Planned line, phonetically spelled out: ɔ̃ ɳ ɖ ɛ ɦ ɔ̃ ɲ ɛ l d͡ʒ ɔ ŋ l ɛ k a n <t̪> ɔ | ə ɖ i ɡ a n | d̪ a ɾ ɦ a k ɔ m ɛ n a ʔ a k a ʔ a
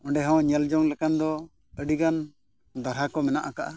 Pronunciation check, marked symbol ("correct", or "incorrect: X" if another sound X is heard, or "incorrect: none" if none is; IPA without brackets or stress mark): incorrect: d̪